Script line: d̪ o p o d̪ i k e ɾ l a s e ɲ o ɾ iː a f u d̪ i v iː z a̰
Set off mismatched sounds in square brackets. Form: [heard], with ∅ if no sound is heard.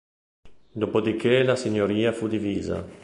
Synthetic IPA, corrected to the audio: d̪ o p o d̪ i k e [∅] l a s [i] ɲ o ɾ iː a f u d̪ i v iː z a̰